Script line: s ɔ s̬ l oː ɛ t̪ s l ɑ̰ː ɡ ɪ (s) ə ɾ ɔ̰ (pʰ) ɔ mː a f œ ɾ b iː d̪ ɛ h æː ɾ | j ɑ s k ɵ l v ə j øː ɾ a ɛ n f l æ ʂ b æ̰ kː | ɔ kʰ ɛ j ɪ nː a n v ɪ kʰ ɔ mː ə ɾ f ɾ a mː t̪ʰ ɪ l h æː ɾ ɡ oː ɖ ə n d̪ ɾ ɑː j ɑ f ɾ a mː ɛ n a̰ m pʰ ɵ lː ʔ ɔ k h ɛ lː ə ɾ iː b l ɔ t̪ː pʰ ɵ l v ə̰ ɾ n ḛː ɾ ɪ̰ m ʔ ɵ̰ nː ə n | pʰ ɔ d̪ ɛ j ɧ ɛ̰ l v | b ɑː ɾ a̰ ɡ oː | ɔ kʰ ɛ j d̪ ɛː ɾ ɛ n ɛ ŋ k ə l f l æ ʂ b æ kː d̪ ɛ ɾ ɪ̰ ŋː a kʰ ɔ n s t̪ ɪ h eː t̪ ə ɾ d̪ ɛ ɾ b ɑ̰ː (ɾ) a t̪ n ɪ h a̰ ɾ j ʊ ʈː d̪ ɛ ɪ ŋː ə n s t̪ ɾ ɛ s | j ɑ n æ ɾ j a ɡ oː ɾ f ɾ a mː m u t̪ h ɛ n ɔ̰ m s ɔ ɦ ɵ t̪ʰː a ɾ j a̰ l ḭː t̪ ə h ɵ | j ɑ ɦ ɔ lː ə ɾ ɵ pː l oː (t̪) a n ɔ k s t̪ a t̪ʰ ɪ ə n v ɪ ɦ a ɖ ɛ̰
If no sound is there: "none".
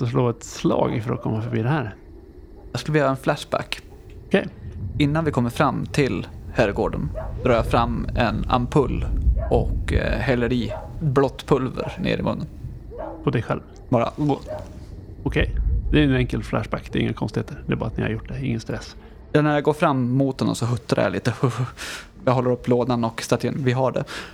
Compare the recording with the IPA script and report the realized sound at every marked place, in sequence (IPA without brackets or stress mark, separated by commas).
f, kʰ, ɾ, d̪